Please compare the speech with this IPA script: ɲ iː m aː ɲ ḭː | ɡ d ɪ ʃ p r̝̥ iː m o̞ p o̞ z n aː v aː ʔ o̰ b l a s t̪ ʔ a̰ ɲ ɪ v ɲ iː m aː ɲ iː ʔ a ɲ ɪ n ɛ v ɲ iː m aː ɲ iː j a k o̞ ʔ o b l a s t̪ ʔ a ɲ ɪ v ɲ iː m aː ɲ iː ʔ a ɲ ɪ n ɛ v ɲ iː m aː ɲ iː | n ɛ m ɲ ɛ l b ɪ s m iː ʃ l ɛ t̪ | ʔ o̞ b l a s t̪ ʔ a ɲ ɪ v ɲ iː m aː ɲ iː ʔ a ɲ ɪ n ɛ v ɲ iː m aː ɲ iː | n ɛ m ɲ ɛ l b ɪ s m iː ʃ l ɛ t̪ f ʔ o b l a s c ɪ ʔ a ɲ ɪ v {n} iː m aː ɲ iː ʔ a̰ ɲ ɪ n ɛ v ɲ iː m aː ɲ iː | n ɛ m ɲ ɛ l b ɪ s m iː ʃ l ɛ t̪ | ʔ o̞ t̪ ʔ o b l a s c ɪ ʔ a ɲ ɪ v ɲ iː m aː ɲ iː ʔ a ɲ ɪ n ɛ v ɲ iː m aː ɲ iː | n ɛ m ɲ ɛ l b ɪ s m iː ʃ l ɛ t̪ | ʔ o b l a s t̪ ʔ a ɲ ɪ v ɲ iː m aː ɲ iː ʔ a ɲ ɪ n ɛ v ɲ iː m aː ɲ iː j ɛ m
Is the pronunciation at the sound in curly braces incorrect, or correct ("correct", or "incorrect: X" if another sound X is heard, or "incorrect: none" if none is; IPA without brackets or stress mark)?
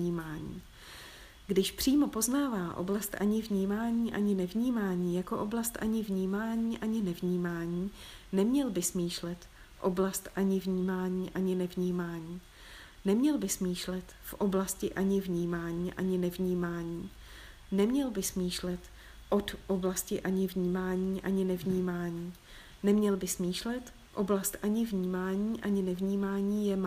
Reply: incorrect: ɲ